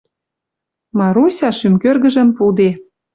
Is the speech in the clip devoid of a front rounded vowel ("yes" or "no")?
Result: no